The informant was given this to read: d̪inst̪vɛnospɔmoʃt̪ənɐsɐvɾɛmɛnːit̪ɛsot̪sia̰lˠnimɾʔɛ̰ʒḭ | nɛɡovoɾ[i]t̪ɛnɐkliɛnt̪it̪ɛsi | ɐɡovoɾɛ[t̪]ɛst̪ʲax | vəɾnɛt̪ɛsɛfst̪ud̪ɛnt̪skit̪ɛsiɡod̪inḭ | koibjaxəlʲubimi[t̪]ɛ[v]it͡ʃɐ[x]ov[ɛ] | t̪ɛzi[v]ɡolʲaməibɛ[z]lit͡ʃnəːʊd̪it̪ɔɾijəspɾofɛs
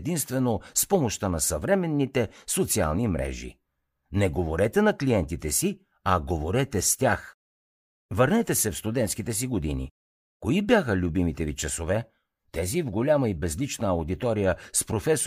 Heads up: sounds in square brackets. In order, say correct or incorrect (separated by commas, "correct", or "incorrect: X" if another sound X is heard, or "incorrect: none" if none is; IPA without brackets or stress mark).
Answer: incorrect: ɛ, correct, correct, correct, incorrect: s, correct, correct, correct